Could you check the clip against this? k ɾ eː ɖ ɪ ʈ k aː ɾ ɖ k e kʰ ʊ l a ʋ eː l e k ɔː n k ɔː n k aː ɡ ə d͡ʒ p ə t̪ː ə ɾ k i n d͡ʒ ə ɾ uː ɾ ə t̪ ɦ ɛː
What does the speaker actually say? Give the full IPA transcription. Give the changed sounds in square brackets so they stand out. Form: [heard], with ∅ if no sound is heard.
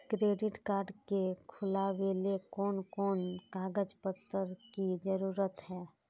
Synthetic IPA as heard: k ɾ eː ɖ ɪ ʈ k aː ɾ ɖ k e kʰ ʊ l a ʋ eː l e k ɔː n k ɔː n k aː ɡ ə d͡ʒ p ə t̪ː ə ɾ k i [∅] d͡ʒ ə ɾ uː ɾ ə t̪ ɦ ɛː